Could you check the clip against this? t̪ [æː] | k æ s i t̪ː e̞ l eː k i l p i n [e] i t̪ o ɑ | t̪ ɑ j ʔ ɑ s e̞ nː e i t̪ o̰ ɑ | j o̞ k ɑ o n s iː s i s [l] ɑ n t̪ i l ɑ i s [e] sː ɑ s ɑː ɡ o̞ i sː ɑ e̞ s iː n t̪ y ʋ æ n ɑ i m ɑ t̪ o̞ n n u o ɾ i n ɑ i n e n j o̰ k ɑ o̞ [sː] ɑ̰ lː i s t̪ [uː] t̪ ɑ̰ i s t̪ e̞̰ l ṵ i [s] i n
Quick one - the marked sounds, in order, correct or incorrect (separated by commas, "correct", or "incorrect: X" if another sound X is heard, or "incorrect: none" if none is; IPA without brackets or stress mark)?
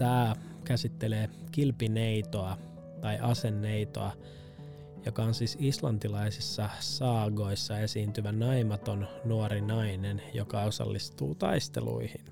correct, correct, correct, incorrect: i, incorrect: s, correct, incorrect: h